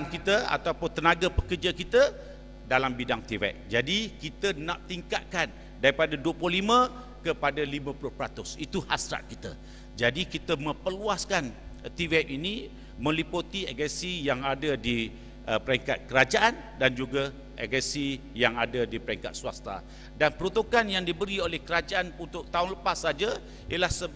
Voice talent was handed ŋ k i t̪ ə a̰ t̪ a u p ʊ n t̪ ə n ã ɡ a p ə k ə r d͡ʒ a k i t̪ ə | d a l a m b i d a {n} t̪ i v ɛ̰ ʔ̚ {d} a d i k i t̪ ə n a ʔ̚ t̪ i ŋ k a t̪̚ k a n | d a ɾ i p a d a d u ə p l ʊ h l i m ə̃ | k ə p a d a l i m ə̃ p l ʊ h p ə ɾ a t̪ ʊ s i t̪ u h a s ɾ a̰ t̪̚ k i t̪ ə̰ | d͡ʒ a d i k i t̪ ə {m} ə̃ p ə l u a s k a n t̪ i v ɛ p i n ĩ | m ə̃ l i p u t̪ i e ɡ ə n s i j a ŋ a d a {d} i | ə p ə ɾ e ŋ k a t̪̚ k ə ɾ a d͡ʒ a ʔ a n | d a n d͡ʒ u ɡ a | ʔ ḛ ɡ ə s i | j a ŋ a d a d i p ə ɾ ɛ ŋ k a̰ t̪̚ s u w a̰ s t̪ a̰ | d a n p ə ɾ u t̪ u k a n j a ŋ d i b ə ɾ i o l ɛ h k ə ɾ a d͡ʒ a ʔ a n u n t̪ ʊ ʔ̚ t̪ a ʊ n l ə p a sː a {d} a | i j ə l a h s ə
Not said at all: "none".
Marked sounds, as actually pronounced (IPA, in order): ŋ, d͡ʒ, m, d, d͡ʒ

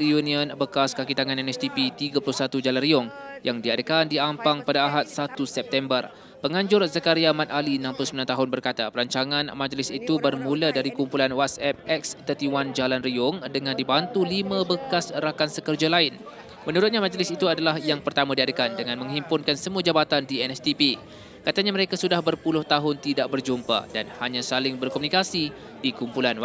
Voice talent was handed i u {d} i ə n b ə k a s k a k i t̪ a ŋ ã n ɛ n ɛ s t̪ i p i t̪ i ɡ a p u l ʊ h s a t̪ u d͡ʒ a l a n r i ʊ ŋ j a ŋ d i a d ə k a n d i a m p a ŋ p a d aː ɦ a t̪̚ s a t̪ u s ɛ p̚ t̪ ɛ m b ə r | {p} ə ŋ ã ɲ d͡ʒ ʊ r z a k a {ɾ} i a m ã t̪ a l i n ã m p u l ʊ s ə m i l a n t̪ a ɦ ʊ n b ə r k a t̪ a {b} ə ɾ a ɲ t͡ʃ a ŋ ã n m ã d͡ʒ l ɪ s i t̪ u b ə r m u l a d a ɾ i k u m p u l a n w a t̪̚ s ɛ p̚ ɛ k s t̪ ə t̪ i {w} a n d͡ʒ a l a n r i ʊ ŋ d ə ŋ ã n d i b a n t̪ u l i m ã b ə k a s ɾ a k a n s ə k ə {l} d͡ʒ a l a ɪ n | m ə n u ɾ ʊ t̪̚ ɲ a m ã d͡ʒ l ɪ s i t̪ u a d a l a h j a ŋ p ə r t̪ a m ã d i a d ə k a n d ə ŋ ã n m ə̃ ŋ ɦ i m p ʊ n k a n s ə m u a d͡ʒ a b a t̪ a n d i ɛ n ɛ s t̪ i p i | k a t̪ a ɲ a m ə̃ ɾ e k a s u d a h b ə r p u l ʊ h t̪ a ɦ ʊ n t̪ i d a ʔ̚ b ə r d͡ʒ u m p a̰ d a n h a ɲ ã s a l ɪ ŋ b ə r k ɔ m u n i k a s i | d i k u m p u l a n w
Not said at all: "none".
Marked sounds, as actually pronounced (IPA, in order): n, p, ɾ, p, w, r

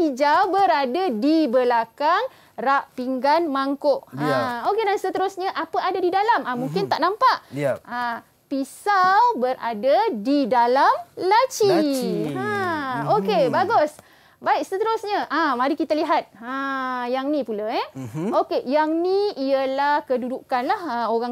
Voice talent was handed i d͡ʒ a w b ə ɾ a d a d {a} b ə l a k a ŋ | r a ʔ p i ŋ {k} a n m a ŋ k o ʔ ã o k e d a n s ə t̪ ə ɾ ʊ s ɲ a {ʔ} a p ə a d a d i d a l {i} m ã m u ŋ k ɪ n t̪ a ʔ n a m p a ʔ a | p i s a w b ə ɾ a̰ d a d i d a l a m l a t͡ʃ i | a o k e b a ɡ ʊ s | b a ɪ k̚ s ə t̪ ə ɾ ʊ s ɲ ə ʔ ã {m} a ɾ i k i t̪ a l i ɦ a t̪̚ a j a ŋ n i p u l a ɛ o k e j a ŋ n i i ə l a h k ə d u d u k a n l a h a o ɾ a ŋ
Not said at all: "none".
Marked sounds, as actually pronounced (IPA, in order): i, ɡ, ʔ, a, m

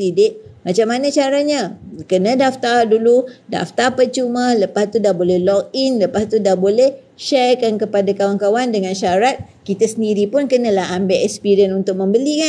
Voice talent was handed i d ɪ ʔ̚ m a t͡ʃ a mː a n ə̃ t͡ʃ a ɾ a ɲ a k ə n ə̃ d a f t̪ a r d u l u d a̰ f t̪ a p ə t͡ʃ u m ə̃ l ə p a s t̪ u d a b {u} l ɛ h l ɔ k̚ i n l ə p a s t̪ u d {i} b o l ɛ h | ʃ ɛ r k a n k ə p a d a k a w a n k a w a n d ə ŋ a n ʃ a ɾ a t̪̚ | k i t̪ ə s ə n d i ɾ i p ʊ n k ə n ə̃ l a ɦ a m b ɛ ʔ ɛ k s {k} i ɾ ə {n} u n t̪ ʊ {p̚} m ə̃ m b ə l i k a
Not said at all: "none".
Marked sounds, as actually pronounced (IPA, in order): o, a, p, n, k̚

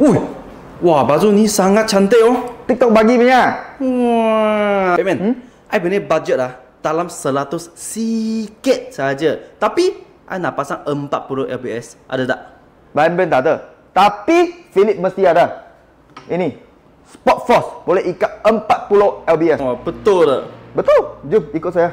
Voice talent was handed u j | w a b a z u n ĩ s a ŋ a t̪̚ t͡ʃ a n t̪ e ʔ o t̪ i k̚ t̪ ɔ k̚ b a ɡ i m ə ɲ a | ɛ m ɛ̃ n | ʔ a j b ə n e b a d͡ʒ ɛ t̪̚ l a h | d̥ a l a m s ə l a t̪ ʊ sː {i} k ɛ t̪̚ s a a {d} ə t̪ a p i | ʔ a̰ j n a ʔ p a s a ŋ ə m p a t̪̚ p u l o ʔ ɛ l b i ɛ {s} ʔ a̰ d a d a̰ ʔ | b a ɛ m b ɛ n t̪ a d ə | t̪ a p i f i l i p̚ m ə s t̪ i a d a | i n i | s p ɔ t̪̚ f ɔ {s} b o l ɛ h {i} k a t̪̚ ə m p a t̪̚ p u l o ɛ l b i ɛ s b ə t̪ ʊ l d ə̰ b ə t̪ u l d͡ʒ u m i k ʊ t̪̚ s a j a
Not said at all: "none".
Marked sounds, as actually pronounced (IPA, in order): i, d͡ʒ, s, s, i

